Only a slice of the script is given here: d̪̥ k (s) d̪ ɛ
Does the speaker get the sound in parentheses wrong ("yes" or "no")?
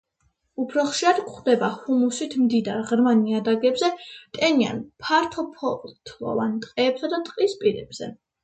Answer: yes